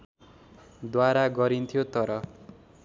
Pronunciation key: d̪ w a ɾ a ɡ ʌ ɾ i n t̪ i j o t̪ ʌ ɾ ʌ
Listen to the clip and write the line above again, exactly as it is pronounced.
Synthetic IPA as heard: d̪ w a ɾ a ɡ ʌ ɾ i n t̪ʰ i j o t̪ ʌ ɾ ʌ

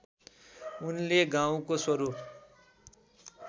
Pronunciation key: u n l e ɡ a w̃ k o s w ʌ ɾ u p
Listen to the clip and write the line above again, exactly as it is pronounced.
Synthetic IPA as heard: u n l e ɡ a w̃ k o s w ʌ ɾ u p

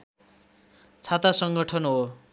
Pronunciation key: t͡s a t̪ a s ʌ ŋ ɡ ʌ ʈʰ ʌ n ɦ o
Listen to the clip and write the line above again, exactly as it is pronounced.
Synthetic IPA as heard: t͡sʰ a t̪ a s ʌ ŋ ɡ ʌ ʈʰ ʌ n ɦ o

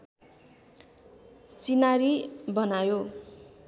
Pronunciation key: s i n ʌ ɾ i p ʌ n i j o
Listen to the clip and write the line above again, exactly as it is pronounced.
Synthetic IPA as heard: t͡s i n a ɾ i b ʌ n a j o

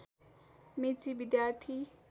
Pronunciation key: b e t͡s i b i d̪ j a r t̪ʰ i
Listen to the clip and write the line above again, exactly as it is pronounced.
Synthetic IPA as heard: m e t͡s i b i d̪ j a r t̪ʰ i

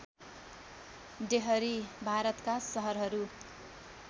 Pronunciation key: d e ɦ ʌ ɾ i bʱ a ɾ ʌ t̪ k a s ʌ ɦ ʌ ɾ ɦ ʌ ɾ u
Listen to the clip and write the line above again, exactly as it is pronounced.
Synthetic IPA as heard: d e ɦ ʌ ɾ i bʱ a ɾ ʌ t̪ k a s ʌ ɦ ʌ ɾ ɦ ʌ ɾ u

